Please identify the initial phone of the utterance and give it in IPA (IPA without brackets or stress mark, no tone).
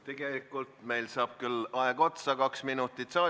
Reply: t̪